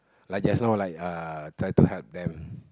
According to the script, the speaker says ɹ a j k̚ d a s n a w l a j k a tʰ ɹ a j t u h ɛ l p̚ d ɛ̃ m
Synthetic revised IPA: l a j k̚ d͡ʒ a s n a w l a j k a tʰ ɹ a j t u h ɛ l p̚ d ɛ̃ m